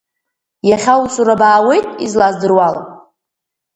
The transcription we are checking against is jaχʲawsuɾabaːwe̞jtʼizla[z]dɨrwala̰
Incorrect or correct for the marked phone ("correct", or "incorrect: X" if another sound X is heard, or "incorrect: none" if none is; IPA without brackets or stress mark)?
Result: correct